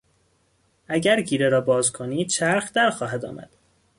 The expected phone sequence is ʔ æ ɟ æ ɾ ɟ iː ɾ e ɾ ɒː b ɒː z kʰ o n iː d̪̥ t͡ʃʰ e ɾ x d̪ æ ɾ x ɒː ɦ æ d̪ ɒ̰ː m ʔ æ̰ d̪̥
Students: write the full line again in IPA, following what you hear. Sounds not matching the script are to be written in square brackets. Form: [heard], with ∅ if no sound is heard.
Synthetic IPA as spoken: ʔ æ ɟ æ ɾ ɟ iː ɾ e ɾ ɒː b ɒː z kʰ o n iː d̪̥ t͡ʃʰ [æ] ɾ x d̪ æ ɾ x ɒː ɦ æ d̪ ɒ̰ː m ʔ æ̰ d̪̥